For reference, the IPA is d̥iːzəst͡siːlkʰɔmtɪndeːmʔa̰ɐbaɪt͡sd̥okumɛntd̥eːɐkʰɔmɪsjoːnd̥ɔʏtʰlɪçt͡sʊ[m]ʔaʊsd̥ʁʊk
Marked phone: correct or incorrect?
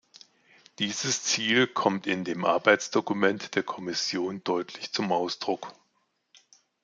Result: correct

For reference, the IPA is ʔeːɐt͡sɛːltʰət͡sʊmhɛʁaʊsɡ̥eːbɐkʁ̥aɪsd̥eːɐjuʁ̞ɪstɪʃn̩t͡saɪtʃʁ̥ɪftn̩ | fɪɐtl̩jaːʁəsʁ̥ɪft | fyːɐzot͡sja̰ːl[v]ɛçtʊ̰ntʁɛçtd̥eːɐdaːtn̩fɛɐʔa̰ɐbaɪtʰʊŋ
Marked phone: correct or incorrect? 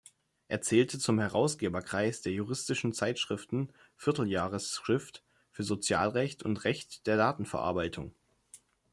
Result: incorrect: ʁ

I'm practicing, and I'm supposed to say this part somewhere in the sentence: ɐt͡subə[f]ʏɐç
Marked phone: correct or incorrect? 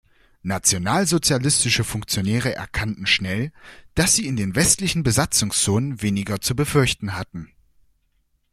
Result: correct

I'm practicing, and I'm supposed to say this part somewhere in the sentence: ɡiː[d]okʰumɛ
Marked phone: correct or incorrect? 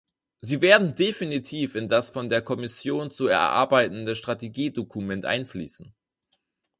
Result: correct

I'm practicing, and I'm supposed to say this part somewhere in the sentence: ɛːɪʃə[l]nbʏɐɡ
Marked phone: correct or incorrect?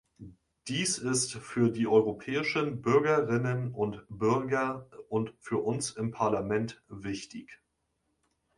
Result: incorrect: none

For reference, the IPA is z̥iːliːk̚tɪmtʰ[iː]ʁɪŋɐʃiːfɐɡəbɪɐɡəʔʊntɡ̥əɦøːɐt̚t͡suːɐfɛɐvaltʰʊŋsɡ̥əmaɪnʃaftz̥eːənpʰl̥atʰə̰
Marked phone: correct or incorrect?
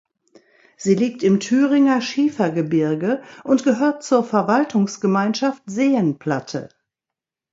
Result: incorrect: yː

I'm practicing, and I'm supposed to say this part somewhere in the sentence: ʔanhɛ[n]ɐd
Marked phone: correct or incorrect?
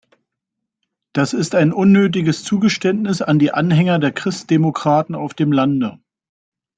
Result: incorrect: ŋ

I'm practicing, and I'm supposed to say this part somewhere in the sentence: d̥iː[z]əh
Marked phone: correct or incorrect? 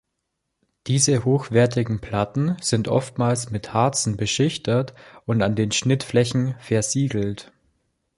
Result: correct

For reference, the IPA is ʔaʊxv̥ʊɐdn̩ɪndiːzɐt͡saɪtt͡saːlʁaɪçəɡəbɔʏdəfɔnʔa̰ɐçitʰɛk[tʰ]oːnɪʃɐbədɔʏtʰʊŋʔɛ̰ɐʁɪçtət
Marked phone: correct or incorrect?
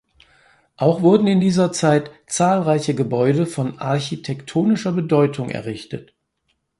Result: correct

